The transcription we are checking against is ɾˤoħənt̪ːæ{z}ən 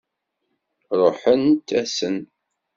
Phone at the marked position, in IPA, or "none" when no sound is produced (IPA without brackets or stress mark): s